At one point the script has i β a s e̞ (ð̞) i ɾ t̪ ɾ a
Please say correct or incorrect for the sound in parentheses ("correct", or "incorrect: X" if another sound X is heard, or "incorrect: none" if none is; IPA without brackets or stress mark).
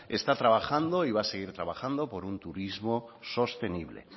incorrect: ɣ̞